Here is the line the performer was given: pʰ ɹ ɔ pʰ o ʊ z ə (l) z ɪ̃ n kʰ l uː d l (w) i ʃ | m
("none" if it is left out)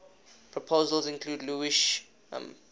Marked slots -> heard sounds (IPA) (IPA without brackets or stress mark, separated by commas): l, u